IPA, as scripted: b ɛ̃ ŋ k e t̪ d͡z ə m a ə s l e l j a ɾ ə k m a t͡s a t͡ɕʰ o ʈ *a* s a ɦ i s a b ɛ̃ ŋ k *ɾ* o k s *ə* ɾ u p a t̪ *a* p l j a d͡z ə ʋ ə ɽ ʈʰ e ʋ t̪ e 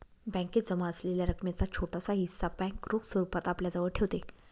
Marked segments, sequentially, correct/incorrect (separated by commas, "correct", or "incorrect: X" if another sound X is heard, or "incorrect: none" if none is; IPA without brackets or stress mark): correct, correct, correct, correct